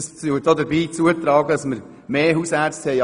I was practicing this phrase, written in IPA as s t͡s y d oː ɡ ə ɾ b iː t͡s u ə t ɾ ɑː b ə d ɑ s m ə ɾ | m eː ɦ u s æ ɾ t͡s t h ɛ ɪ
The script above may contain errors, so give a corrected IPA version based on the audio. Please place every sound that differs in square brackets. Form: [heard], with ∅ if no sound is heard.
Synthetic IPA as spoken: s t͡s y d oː [d] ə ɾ b iː t͡s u ə t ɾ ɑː [ɡ] ə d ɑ s m ə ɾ | m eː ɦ u s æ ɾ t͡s t h ɛ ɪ